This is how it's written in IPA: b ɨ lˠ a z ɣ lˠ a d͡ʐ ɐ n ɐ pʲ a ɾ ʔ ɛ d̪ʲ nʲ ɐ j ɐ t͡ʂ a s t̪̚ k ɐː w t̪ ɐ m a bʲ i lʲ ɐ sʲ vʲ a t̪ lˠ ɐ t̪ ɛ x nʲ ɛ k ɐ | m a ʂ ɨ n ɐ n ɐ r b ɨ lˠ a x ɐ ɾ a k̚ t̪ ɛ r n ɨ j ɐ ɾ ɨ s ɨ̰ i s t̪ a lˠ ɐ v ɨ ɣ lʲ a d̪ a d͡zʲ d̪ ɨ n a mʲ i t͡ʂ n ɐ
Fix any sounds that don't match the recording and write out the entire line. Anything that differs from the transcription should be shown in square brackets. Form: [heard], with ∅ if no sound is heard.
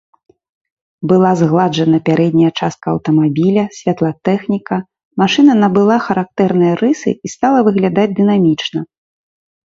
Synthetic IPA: b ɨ lˠ a z ɣ lˠ a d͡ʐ ɐ n ɐ pʲ a ɾ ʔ ɛ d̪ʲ nʲ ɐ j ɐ t͡ʂ a s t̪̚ k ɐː w t̪ ɐ m a bʲ i lʲ ɐ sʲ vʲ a t̪ lˠ ɐ t̪ ɛ x nʲ [i] k ɐ | m a ʂ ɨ n ɐ n ɐ [∅] b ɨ lˠ a x ɐ ɾ a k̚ t̪ ɛ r n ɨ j ɐ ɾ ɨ s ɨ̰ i s t̪ a lˠ ɐ v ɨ ɣ lʲ a d̪ a d͡zʲ d̪ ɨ n a mʲ i t͡ʂ n ɐ

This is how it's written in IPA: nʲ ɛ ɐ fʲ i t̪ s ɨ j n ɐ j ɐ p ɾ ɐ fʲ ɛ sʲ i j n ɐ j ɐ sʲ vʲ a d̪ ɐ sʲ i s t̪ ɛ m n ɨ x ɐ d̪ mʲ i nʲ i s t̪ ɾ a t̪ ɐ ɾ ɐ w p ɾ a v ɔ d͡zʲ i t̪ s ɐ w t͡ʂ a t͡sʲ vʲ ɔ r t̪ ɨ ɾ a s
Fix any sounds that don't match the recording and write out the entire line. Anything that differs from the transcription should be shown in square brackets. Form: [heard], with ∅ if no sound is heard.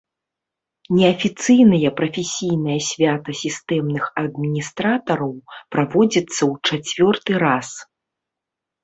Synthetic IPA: nʲ ɛ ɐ fʲ i t̪ s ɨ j n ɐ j ɐ p ɾ ɐ fʲ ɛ sʲ i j n ɐ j ɐ sʲ vʲ a [t̪] ɐ sʲ i s t̪ ɛ m n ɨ x ɐ d̪ mʲ i nʲ i s t̪ ɾ a t̪ ɐ ɾ ɐ w p ɾ a v ɔ d͡zʲ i t̪ [sː] ɐ w t͡ʂ a t͡sʲ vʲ ɔ r t̪ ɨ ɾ a s

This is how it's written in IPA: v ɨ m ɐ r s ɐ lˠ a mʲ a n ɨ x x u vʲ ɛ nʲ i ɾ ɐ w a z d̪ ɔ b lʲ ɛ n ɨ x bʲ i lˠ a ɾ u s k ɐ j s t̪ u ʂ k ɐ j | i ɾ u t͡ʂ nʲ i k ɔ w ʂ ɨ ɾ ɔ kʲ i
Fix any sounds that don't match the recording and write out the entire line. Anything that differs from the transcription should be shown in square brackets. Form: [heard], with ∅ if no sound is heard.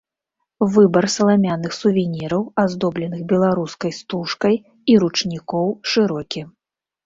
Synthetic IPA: v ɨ [b] ɐ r s ɐ lˠ a mʲ a n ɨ x [s] u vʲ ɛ nʲ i ɾ ɐ w a z d̪ ɔ b lʲ ɛ n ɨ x bʲ [ɛ] lˠ a ɾ u s k ɐ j s t̪ u ʂ k ɐ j | i ɾ u t͡ʂ nʲ i k ɔ w ʂ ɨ ɾ ɔ kʲ i

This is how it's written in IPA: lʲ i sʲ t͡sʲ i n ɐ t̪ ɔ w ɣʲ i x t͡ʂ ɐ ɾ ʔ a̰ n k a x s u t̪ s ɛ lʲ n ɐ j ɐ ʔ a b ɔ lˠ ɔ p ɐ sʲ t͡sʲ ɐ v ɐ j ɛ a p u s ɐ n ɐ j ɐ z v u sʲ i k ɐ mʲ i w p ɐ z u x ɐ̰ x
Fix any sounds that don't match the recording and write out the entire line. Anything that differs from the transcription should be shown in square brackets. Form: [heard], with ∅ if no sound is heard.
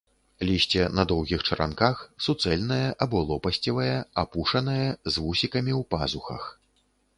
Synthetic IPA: lʲ i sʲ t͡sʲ [ɛ] n ɐ [d̪] ɔ w ɣʲ i x t͡ʂ ɐ ɾ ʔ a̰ n k a x s u t̪ s ɛ lʲ n ɐ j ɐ ʔ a b ɔ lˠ ɔ p ɐ sʲ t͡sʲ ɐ v ɐ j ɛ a p u [ʂ] ɐ n ɐ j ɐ z v u sʲ i k ɐ mʲ i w p [a] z u x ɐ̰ x

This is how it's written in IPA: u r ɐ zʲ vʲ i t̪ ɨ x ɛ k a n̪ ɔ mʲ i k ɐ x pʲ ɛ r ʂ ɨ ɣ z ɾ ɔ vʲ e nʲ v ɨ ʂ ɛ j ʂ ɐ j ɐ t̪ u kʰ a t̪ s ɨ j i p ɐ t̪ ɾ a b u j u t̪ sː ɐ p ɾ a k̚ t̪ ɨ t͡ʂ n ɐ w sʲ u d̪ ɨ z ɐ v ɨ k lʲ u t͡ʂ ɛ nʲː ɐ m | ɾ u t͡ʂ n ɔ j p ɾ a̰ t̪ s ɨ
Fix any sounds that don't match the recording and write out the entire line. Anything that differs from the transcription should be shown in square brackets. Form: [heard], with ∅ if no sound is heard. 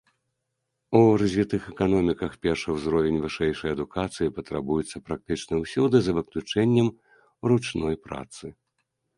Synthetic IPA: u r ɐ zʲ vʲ i t̪ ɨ x ɛ k a n̪ ɔ mʲ i k ɐ x pʲ ɛ r ʂ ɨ [w] z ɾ ɔ vʲ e nʲ v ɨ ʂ ɛ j ʂ ɐ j ɐ [d̪] u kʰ a t̪ s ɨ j i p ɐ t̪ ɾ a b u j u t̪ sː ɐ p ɾ a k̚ t̪ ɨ t͡ʂ n ɐ w sʲ u d̪ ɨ z ɐ v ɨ k lʲ u t͡ʂ ɛ nʲː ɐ m | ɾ u t͡ʂ n ɔ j p ɾ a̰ t̪ s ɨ

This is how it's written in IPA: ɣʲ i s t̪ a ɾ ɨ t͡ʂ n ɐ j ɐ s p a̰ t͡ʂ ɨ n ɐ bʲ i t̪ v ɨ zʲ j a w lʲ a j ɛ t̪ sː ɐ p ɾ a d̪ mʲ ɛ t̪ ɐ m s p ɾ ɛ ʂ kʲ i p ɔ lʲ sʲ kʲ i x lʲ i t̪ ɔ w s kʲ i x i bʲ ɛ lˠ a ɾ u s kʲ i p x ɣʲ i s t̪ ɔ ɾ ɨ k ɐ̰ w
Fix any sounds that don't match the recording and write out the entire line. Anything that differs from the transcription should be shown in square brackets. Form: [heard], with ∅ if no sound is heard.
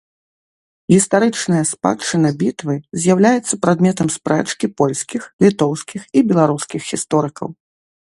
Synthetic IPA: ɣʲ i s t̪ a ɾ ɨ t͡ʂ n ɐ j ɐ s p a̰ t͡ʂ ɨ n ɐ bʲ i t̪ v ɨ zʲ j a w lʲ a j ɛ t̪ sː ɐ p ɾ a d̪ mʲ ɛ t̪ ɐ m s p ɾ ɛ [t͡ʂ] kʲ i p ɔ lʲ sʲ kʲ i x lʲ i t̪ ɔ w s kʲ i x i bʲ ɛ lˠ a ɾ u s kʲ i [∅] x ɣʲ i s t̪ ɔ ɾ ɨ k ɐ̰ w

